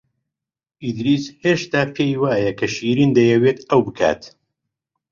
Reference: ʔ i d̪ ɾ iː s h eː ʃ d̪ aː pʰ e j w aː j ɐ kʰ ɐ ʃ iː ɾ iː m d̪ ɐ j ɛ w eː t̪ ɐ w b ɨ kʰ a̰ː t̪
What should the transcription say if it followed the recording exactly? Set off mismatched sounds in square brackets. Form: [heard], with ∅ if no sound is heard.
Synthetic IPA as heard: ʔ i d̪ ɾ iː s h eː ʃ [t̪] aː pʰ e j w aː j ɐ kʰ ɐ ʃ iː ɾ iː [n] d̪ ɐ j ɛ w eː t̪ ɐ w b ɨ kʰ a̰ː t̪